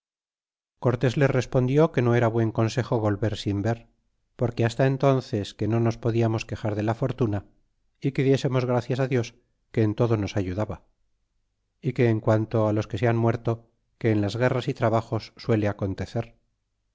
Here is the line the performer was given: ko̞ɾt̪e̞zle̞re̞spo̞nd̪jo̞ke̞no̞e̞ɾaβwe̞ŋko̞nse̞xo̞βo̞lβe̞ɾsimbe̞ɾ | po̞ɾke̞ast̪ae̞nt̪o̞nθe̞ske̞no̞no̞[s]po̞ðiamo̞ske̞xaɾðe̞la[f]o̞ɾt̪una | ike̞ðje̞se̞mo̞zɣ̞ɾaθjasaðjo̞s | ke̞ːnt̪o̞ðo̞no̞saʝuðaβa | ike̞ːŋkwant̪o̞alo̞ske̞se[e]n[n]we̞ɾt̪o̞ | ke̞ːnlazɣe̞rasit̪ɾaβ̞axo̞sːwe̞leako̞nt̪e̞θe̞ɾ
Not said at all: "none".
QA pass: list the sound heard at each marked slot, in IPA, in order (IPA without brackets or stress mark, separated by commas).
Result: s, f, a, m